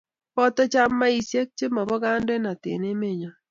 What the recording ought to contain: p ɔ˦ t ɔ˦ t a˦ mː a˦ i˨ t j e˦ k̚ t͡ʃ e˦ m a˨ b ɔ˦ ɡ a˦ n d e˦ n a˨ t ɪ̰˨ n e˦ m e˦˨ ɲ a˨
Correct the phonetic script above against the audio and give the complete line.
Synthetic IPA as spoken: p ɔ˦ t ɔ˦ t͡ʃ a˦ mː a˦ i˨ s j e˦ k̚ t͡ʃ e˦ m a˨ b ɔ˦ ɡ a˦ n d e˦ n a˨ t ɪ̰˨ n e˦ m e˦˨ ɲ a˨